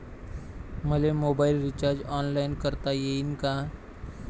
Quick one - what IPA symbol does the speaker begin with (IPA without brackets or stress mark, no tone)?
m